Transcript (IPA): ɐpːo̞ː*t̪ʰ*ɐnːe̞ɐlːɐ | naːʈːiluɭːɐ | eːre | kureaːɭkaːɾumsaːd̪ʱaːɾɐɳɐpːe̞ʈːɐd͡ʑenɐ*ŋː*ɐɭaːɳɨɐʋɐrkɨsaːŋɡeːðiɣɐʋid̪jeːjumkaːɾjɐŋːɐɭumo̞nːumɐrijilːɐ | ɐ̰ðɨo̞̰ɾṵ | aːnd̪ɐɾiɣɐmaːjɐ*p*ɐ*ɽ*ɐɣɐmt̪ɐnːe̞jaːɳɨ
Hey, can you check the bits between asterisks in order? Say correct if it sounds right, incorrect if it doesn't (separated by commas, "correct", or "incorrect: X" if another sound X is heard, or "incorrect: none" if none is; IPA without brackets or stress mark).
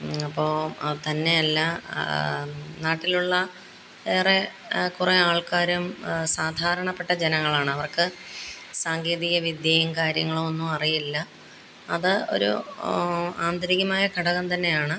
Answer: incorrect: t̪, correct, incorrect: k, correct